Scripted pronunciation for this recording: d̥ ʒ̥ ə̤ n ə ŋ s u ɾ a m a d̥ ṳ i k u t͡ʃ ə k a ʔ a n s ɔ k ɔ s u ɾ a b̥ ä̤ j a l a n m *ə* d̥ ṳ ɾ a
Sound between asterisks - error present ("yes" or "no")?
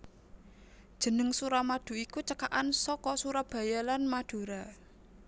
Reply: yes